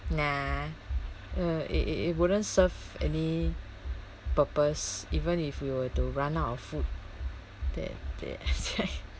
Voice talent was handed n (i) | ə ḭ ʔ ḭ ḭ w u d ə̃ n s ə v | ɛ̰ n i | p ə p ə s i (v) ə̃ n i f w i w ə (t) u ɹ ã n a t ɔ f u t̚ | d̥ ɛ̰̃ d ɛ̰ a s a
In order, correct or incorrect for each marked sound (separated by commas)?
incorrect, correct, correct